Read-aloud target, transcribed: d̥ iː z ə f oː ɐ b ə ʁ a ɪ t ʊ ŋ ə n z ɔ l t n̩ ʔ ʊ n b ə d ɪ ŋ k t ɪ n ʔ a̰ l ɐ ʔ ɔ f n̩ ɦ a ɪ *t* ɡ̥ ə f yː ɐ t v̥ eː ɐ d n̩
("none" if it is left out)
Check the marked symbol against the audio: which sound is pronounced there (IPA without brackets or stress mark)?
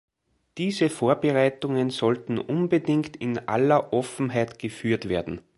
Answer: t